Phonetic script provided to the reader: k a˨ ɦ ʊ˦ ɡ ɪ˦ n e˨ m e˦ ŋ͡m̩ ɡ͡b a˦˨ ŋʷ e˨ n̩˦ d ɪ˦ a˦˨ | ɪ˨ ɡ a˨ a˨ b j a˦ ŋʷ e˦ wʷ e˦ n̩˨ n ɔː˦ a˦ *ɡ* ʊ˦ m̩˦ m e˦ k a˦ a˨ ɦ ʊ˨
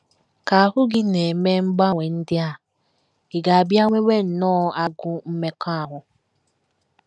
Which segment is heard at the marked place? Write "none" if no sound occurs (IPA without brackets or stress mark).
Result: ɡ